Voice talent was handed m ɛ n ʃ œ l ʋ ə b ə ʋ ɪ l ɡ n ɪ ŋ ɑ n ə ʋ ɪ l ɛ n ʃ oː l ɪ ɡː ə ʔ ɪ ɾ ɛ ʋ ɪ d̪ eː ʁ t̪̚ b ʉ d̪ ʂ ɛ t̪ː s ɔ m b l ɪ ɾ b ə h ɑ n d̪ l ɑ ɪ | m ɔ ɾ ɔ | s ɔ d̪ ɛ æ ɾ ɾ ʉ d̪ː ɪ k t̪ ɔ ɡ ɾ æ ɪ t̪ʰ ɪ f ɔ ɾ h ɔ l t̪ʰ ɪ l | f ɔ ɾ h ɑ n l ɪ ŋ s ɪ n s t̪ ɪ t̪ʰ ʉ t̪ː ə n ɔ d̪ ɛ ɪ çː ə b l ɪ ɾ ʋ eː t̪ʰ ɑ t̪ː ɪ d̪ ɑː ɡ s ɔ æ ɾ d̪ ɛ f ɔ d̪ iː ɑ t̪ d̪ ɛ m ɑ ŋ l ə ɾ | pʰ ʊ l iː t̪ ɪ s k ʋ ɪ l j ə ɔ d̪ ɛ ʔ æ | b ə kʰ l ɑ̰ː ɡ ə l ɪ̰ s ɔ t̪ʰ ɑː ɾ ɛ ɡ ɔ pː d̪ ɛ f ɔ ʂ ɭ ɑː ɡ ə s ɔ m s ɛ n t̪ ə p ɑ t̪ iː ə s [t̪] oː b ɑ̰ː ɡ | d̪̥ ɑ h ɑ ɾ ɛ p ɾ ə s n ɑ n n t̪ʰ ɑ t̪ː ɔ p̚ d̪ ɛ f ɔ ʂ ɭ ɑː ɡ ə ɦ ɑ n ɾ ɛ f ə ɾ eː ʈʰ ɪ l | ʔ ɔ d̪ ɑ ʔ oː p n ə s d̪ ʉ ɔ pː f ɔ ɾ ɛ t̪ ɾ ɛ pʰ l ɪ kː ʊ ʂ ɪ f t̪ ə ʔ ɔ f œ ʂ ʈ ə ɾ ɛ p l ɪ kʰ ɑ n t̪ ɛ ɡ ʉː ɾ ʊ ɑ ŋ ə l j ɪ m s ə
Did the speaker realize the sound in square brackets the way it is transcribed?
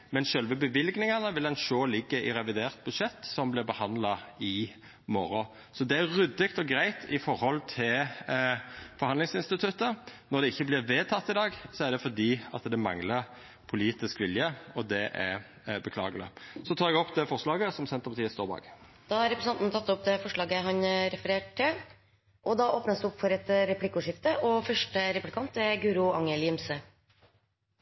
yes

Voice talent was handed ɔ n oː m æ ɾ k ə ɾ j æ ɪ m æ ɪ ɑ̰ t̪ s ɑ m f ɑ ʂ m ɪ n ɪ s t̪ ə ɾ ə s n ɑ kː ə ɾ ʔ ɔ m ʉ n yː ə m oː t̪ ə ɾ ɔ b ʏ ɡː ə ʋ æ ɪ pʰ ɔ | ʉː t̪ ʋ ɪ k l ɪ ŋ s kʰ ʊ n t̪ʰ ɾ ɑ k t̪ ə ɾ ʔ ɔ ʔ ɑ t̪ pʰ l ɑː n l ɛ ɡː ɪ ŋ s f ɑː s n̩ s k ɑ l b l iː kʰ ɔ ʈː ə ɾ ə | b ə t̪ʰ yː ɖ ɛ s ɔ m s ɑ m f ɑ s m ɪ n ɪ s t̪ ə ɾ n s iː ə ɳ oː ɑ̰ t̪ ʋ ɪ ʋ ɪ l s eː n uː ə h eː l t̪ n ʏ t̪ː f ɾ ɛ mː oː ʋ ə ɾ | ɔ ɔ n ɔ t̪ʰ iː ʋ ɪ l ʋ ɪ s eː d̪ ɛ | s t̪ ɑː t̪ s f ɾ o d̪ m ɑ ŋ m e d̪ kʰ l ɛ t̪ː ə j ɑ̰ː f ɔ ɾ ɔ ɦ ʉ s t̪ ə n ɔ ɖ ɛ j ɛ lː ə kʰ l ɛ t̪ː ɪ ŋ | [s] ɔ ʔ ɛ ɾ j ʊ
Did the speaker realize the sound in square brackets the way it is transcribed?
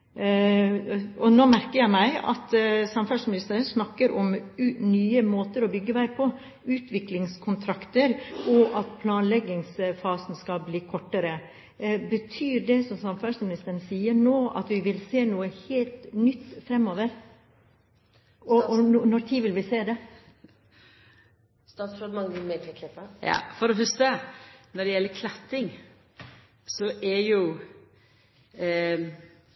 yes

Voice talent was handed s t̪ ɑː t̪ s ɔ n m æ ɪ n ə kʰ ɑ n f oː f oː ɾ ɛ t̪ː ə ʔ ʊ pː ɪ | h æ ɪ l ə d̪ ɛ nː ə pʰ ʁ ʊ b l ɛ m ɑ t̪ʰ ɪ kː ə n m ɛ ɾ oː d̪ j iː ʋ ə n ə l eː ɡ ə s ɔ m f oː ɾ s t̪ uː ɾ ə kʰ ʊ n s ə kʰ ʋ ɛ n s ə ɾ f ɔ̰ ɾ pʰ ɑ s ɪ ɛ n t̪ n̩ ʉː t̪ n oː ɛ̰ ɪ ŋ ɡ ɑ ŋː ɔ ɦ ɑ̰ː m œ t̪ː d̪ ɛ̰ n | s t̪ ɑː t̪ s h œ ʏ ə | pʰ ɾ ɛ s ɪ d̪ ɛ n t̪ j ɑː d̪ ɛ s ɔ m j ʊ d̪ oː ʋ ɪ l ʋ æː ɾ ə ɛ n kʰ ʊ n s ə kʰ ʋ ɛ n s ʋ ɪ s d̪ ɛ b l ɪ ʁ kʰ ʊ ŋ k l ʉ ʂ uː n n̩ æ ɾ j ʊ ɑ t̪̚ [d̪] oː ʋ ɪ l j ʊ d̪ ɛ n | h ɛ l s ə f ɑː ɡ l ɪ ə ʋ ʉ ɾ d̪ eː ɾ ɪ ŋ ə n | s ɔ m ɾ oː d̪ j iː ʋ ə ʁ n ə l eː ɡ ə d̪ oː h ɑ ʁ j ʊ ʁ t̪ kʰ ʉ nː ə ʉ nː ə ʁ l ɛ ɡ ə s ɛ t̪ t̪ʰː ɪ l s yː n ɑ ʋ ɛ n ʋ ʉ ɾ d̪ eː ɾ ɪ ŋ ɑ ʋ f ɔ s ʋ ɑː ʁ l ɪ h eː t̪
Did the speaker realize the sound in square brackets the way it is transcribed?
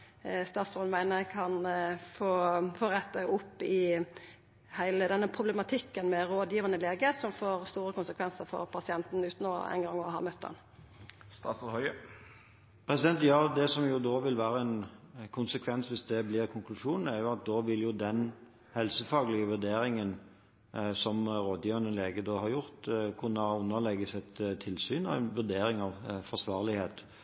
yes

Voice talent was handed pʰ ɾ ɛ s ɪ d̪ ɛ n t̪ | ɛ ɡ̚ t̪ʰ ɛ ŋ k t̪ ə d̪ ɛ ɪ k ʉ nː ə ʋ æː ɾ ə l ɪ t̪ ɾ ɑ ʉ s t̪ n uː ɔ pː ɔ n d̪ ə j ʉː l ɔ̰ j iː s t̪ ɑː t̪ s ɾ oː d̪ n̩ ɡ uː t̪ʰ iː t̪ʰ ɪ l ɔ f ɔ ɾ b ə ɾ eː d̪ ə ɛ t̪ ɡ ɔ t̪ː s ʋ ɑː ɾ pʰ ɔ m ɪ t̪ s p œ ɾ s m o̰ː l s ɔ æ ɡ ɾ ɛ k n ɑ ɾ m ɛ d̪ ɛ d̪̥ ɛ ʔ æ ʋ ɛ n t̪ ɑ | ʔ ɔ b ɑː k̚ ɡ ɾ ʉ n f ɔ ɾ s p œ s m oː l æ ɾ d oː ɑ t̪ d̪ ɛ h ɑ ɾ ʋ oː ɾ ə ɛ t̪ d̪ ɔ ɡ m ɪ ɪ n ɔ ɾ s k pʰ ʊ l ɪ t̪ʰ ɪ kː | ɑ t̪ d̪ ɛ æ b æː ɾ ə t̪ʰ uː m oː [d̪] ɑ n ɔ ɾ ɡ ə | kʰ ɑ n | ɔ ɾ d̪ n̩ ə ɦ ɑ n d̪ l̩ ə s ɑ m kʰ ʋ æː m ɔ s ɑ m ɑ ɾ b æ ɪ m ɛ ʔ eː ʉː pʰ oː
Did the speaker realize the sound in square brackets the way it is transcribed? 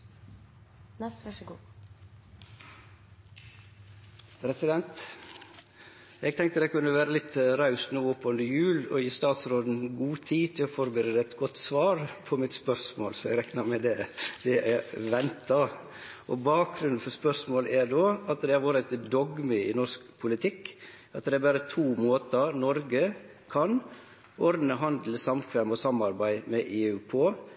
no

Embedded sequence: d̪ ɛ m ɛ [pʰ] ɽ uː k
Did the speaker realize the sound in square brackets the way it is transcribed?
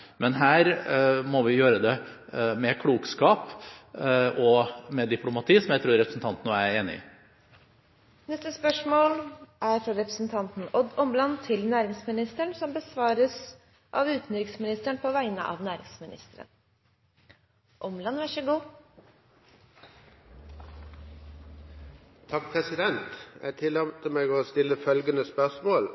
no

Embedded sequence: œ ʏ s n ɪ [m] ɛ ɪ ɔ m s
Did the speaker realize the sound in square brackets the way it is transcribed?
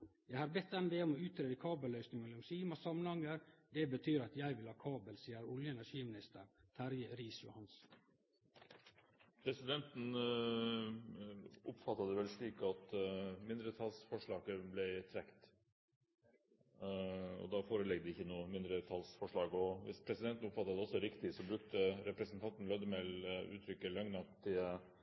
no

